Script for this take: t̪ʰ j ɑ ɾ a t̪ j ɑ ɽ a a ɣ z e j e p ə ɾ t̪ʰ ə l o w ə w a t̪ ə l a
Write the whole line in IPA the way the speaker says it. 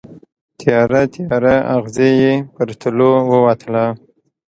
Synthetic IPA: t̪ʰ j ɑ ɾ a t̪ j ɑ ɾ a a ɣ z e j e p ə ɾ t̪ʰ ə l o w ə w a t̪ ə l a